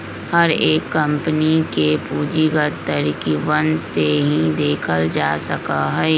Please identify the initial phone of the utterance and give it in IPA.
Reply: h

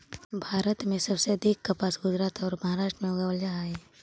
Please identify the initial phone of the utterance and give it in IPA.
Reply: bʱ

